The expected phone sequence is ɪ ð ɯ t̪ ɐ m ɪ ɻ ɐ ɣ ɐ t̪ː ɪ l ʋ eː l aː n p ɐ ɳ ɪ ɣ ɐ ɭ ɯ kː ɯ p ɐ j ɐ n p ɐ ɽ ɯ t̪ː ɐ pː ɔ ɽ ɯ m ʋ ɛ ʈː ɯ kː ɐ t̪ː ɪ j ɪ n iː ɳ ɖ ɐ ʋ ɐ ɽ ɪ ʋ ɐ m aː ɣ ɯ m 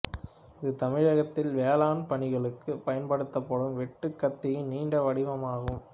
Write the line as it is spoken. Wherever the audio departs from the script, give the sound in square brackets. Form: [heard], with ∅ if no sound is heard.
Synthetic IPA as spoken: ɪ ð ɯ t̪ ɐ m ɪ ɻ ɐ ɣ ɐ t̪ː ɪ l ʋ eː l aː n p ɐ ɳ ɪ ɣ ɐ ɭ ɯ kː ɯ p ɐ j ɐ n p ɐ ɽ ɯ t̪ː ɐ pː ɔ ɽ ɯ m ʋ ɛ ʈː ɯ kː ɐ t̪ː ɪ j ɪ n iː ɳ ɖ ɐ ʋ ɐ ɽ ɪ ʋ ɐ m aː ɣ ɯ m

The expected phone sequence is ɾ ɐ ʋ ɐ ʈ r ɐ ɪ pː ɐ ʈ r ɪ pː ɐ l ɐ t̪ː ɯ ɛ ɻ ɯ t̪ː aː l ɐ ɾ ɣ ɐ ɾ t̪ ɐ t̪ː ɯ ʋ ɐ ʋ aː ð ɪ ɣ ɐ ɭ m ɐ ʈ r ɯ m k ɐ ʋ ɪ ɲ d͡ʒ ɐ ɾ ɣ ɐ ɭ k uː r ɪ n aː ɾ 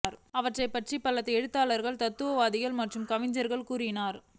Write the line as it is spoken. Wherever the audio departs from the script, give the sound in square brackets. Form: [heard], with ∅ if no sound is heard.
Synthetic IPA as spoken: ɾ ɐ ʋ ɐ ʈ r ɐ ɪ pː ɐ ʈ r [i] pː ɐ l ɐ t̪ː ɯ ɛ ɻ ɯ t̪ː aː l ɐ ɾ ɣ ɐ [ɭ] t̪ ɐ t̪ː ɯ ʋ ɐ ʋ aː ð ɪ ɣ ɐ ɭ m ɐ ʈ r ɯ m k ɐ ʋ ɪ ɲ d͡ʒ ɐ ɾ ɣ ɐ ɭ k uː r ɪ n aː ɾ

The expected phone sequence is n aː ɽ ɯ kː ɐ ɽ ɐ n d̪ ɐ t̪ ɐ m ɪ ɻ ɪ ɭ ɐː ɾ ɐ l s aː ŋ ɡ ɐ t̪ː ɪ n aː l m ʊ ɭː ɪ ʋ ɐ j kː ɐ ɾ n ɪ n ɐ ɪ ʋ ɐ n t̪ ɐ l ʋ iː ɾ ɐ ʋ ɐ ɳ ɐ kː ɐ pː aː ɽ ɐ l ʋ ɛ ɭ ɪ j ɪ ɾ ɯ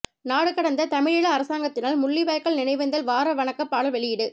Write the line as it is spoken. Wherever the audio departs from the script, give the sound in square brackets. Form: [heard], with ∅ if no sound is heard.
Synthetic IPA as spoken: n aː ɽ ɯ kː ɐ ɽ ɐ n d̪ ɐ t̪ ɐ m ɪ ɻ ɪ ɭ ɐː ɾ ɐ [∅] s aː ŋ ɡ ɐ t̪ː ɪ n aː l m ʊ ɭː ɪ ʋ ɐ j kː ɐ [ɭ] n ɪ n ɐ ɪ ʋ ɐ n [d̪] ɐ l ʋ [aː] ɾ ɐ ʋ ɐ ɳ ɐ kː ɐ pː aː ɽ ɐ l ʋ ɛ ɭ ɪ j ɪ [ɽ] ɯ

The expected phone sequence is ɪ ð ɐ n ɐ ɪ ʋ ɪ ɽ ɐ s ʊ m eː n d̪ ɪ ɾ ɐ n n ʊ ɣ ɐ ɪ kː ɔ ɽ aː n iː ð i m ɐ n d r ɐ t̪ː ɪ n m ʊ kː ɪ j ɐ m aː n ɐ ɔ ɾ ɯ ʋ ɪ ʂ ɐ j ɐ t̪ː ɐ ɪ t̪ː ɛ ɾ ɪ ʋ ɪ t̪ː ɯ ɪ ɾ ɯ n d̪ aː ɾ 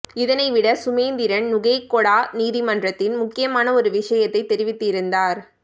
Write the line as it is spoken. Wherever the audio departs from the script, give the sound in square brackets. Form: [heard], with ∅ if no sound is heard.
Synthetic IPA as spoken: ɪ ð ɐ n ɐ ɪ ʋ ɪ ɽ ɐ s ʊ m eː n d̪ ɪ ɾ ɐ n n ʊ ɣ ɐ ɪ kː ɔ ɽ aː n iː ð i m ɐ n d r ɐ t̪ː ɪ n m ʊ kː ɪ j ɐ m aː n ɐ ɔ ɾ ɯ ʋ ɪ ʂ ɐ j ɐ t̪ː ɐ ɪ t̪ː ɛ ɾ ɪ ʋ ɪ t̪ː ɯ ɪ ɾ ɯ n d̪ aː ɾ

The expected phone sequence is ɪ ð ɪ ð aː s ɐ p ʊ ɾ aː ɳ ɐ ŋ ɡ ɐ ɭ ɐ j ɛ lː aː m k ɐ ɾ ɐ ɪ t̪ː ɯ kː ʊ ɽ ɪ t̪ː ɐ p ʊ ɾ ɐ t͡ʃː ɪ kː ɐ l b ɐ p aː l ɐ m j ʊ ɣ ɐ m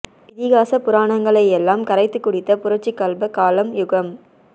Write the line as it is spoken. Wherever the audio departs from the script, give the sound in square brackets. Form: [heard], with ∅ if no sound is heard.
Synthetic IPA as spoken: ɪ ð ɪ [ɣ] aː s ɐ p ʊ ɾ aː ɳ ɐ ŋ ɡ ɐ ɭ ɐ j ɛ lː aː m k ɐ ɾ ɐ ɪ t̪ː ɯ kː ʊ ɽ ɪ t̪ː ɐ p ʊ ɾ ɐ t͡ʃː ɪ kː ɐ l b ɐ [k] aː l ɐ m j ʊ ɣ ɐ m

